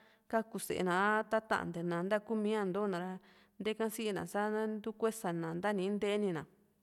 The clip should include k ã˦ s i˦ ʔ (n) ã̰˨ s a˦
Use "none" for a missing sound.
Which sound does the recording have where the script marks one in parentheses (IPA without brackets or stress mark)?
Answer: n